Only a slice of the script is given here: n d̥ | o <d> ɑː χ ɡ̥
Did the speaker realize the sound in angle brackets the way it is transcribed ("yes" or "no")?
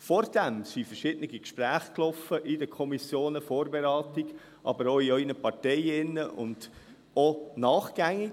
no